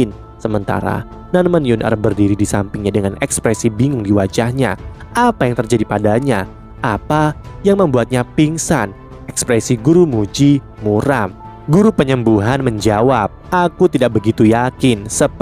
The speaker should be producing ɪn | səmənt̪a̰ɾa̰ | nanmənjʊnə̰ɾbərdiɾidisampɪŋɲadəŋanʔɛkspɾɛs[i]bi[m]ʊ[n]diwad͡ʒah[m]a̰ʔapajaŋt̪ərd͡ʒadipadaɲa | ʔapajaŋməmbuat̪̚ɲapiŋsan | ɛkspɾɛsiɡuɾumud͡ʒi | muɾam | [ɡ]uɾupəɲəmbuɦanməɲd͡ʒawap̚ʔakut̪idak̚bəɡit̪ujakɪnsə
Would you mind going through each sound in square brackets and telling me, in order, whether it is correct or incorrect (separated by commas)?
correct, incorrect, incorrect, incorrect, correct